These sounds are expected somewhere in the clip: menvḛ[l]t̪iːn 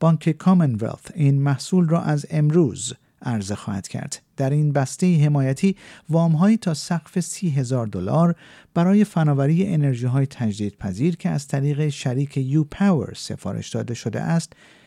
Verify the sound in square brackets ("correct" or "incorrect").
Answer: correct